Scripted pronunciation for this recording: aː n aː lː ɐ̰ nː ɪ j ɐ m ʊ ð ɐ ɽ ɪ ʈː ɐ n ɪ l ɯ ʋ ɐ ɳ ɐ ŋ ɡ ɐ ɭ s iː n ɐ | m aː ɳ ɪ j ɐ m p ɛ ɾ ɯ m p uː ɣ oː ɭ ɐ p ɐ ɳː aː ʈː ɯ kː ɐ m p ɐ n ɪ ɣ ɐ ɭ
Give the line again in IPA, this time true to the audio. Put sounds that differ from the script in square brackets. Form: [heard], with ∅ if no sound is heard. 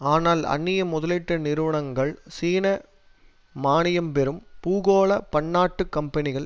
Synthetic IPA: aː n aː [l] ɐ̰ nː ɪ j ɐ m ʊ ð ɐ [l] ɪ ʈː ɐ n ɪ [ɾ] ɯ ʋ ɐ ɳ ɐ ŋ ɡ ɐ ɭ s iː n ɐ | m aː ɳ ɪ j ɐ m p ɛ ɾ ɯ m p uː ɣ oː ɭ ɐ p ɐ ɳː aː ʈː ɯ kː ɐ m p ɐ n ɪ ɣ ɐ ɭ